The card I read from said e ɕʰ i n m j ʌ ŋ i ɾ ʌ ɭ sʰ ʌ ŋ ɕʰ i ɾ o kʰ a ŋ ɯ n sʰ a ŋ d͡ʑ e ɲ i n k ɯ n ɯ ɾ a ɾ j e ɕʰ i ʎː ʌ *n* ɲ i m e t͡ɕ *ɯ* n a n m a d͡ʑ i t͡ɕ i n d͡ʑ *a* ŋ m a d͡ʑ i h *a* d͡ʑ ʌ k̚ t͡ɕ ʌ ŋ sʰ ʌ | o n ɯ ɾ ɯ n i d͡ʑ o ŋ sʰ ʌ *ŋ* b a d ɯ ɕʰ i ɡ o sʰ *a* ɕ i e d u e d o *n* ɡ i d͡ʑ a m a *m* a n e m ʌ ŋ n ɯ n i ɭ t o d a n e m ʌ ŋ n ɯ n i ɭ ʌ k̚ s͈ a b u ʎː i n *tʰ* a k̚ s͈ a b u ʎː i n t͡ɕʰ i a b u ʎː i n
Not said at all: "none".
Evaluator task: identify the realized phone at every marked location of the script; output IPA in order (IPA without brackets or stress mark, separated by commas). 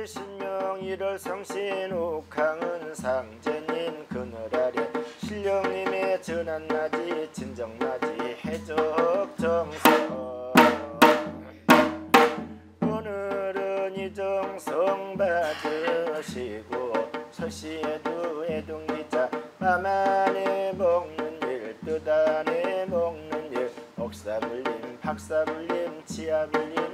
ŋ, ɯ, ʌ, e, ŋ, ʌ, ŋ, m, pʰ